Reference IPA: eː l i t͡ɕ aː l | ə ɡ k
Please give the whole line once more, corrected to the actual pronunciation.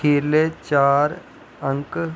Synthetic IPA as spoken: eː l e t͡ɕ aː ɾ | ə ŋ k